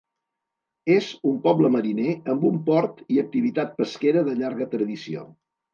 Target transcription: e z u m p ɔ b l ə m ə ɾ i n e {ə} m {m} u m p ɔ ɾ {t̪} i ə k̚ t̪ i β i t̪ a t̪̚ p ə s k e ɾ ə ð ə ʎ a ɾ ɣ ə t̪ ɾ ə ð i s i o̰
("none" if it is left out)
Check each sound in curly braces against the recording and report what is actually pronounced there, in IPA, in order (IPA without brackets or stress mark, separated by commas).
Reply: ə, b, t̪